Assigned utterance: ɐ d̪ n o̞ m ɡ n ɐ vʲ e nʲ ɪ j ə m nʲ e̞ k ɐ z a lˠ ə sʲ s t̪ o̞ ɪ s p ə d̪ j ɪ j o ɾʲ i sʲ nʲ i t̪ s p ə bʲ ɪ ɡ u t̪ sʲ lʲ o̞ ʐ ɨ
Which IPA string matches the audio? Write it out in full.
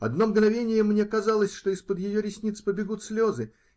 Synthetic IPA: ɐ d̪ n o̞ m ɡ n ɐ vʲ e nʲ ɪ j ə m nʲ e̞ k ɐ z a lˠ ə sʲ ʂ t̪ o̞ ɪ s p ə d̪ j ɪ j o ɾʲ ɪ sʲ nʲ i t̪ s p ə bʲ ɪ ɡ u t̪ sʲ lʲ o̞ z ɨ